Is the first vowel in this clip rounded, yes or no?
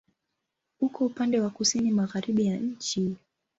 yes